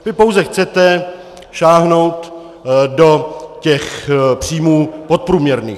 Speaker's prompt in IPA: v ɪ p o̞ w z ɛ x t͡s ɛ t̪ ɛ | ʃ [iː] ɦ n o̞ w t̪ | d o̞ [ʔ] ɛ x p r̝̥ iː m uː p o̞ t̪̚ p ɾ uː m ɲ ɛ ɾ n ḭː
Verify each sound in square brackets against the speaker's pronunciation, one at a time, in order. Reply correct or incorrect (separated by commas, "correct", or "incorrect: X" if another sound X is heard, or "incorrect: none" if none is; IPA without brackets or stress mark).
incorrect: aː, incorrect: c